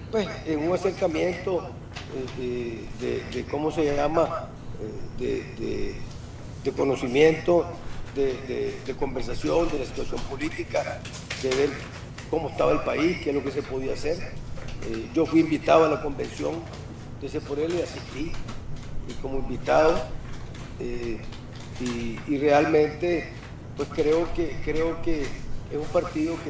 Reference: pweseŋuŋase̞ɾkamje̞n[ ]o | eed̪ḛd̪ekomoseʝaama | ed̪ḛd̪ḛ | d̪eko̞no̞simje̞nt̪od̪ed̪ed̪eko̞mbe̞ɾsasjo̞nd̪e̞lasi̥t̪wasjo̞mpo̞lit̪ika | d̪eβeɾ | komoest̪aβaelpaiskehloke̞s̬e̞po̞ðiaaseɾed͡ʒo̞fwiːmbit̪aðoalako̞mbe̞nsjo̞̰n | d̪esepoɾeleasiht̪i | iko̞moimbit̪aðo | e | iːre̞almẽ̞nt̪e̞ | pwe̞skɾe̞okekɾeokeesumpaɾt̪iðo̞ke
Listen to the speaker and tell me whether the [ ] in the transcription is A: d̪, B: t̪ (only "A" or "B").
B